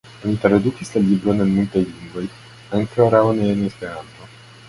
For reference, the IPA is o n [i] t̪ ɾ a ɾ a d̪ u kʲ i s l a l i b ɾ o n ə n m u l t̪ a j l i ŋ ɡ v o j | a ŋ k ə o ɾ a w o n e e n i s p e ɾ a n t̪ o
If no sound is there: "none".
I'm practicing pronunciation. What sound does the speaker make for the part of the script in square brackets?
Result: i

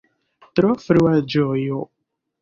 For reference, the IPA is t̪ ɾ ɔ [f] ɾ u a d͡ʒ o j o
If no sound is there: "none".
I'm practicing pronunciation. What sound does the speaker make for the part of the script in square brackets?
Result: f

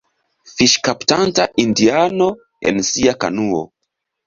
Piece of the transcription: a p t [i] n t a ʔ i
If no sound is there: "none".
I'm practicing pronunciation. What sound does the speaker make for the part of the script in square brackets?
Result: a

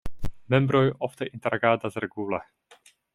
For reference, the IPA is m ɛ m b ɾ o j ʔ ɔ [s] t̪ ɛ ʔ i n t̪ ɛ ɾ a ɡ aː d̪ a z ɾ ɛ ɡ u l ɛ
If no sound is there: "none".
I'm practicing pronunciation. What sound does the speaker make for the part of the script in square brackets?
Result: f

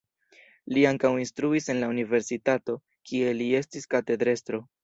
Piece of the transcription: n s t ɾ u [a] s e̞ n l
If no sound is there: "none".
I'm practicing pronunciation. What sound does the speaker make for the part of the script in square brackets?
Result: i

